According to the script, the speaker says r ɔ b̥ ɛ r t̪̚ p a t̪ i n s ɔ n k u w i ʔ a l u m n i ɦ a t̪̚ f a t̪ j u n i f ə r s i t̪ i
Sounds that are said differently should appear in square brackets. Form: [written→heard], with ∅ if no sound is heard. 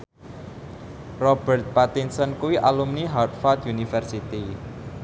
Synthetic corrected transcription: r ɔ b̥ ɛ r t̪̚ p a t̪ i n s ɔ n k u w i ʔ a l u m n i ɦ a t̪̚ f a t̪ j u n i f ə r s i t̪ i